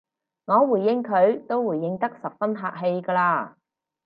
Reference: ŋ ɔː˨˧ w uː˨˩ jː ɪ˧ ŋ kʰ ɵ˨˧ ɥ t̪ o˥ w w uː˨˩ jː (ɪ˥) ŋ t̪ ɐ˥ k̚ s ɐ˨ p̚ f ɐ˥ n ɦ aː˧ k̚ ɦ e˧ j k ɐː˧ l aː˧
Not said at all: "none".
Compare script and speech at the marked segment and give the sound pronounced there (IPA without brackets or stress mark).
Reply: ɪ˧